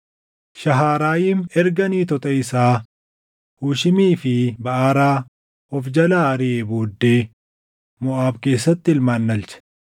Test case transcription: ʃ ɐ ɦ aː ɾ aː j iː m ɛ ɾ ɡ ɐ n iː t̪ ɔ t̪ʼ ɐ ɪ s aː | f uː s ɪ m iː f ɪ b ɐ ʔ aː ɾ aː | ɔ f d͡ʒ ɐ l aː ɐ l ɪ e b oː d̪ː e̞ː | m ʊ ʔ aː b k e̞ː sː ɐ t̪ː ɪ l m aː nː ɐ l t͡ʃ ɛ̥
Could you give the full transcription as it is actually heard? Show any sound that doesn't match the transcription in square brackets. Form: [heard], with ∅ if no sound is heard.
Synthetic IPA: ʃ ɐ ɦ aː ɾ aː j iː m ɛ ɾ ɡ ɐ n iː t̪ ɔ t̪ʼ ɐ ɪ s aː | [h] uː [ʃ] ɪ m iː f ɪ b ɐ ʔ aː ɾ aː | ɔ f d͡ʒ ɐ l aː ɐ [ɾ] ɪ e b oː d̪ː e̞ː | m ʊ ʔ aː b k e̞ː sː ɐ t̪ː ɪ l m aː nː ɐ l t͡ʃ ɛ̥